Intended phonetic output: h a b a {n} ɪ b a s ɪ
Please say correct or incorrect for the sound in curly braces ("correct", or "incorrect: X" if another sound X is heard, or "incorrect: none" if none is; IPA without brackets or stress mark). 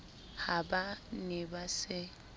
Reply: correct